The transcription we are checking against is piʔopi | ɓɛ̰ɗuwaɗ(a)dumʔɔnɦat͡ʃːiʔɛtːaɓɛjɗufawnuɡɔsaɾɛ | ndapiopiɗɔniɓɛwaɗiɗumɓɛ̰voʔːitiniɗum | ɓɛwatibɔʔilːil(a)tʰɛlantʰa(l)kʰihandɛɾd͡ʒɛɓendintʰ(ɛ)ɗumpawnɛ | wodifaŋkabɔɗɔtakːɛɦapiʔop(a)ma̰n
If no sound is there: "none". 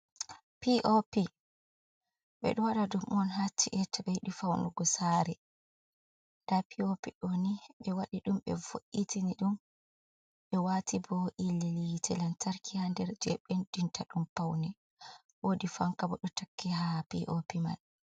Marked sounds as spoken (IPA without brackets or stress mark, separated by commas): a, i, ɾ, a, i